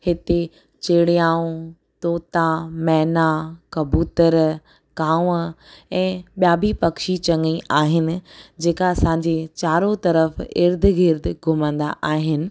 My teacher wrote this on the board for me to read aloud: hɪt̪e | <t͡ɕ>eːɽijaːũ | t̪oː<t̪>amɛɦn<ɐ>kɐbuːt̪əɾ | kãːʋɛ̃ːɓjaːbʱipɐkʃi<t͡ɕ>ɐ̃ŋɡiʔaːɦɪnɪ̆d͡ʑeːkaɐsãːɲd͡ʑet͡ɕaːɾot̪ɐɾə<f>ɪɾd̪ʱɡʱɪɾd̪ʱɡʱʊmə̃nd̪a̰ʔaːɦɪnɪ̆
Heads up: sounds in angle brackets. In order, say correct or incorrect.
correct, correct, incorrect, correct, correct

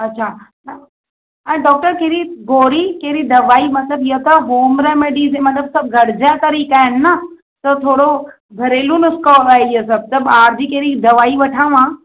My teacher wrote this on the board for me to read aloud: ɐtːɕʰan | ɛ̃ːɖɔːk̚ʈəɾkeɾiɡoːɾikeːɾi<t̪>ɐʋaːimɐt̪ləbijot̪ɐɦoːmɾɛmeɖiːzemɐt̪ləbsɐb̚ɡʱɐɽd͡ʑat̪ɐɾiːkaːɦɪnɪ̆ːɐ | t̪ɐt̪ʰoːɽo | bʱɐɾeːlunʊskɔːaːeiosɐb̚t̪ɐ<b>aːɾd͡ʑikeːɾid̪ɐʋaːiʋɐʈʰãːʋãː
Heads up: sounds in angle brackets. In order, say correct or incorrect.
incorrect, correct

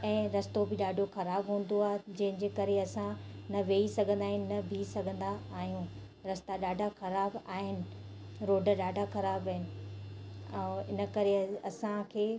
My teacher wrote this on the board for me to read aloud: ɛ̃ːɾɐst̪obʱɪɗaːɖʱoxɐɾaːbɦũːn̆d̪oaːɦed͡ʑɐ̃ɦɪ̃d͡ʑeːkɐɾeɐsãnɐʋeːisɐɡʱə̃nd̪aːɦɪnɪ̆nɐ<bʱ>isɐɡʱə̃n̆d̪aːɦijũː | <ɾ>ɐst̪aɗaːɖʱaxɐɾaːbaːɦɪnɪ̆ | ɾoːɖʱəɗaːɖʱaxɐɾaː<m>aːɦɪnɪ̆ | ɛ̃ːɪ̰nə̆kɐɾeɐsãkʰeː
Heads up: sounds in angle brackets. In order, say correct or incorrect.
correct, correct, incorrect

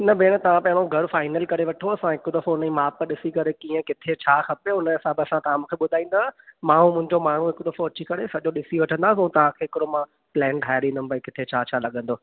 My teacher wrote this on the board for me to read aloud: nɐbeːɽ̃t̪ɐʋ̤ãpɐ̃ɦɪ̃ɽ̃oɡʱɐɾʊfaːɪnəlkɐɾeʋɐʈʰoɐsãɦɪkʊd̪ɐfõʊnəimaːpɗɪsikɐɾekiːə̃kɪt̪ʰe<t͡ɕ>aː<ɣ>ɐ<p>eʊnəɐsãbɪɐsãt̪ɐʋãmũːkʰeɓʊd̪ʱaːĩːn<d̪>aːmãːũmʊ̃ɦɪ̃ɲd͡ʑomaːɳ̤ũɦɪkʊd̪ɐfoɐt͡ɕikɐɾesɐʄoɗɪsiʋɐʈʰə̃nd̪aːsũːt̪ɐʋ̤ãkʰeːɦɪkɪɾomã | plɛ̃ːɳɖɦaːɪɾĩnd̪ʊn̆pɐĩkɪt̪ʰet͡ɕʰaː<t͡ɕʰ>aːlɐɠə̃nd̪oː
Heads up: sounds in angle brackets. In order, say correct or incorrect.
incorrect, incorrect, correct, correct, correct

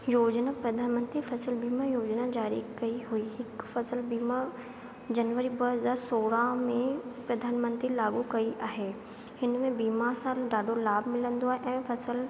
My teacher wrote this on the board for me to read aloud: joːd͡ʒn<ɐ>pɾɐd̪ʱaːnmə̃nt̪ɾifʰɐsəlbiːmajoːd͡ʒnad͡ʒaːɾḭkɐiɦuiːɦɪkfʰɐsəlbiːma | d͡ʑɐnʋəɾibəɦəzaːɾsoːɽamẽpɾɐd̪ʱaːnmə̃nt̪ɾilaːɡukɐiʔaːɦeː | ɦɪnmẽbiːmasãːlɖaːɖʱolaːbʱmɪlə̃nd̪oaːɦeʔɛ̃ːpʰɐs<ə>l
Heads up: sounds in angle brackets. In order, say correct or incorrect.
incorrect, correct

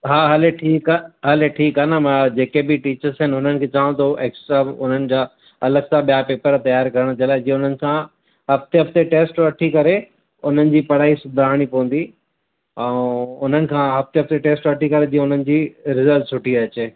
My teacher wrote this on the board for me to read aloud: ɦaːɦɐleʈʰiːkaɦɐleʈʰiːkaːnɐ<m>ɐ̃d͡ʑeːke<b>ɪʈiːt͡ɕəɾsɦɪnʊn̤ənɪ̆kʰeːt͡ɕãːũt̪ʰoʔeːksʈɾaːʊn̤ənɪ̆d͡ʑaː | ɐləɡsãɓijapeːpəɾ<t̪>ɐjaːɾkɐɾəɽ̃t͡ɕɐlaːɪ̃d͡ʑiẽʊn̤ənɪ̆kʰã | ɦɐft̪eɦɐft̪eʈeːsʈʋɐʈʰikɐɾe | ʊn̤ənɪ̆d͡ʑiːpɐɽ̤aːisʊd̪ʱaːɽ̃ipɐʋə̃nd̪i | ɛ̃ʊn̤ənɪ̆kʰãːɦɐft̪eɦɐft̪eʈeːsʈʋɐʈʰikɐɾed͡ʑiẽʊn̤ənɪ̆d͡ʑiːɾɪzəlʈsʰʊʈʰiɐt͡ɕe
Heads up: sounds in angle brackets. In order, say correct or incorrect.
correct, correct, correct

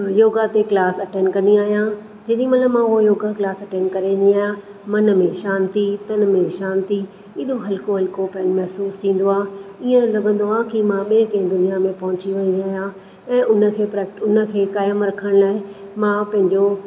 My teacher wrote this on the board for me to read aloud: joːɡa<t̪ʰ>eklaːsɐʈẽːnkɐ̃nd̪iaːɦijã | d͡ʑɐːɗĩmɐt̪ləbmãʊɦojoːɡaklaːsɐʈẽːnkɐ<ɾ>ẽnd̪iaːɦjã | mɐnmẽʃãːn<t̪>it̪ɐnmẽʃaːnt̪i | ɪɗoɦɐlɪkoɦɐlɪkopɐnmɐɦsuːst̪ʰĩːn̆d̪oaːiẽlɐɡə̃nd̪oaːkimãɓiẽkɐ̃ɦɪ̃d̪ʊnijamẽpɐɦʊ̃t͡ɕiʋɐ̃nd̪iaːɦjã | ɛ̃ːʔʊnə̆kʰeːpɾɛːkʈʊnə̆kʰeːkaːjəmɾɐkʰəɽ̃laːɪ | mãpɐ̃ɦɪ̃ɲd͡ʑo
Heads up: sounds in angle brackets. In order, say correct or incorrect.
incorrect, correct, correct

